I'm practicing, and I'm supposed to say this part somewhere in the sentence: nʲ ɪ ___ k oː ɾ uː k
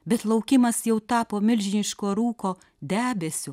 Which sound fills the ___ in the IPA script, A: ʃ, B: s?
A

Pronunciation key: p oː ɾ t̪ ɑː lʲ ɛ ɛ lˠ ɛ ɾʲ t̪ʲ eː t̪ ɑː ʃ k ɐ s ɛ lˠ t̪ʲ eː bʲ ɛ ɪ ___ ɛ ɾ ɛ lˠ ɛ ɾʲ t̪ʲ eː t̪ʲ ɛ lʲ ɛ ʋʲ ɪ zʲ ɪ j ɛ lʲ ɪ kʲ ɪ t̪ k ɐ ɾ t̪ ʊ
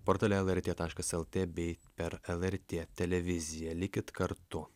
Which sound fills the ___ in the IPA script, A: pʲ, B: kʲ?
A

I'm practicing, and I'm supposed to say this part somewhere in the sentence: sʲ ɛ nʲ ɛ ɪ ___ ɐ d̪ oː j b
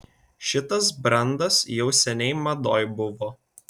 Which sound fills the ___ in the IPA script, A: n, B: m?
B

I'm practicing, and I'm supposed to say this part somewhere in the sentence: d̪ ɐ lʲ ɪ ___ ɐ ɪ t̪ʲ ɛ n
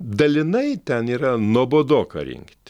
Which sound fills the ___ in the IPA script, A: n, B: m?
A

